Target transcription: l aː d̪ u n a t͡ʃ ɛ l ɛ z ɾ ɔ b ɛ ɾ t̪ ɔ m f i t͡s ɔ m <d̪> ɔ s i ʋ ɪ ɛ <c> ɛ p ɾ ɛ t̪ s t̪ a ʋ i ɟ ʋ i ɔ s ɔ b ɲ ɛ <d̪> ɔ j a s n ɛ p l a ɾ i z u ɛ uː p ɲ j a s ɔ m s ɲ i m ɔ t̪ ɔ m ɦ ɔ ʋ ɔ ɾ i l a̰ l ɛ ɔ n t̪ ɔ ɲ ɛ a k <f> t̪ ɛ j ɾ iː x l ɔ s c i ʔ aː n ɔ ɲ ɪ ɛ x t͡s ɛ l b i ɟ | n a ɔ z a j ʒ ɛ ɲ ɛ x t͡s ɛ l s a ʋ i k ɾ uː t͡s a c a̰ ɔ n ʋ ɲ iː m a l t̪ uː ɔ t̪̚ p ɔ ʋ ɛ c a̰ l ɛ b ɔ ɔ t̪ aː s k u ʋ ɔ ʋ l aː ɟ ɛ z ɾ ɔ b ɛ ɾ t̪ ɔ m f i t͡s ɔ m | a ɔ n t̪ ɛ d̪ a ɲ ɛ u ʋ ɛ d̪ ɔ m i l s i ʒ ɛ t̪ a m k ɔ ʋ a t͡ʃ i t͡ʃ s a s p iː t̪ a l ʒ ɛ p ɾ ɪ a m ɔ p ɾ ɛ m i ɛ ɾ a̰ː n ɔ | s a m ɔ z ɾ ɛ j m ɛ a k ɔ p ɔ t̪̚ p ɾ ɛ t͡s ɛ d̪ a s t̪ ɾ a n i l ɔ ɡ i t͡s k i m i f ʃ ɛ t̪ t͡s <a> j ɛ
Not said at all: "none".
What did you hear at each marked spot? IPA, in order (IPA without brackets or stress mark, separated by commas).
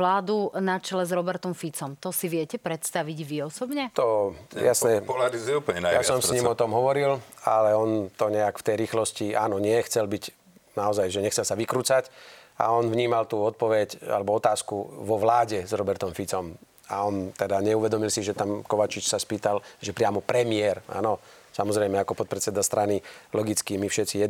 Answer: t̪, c, t̪, f, i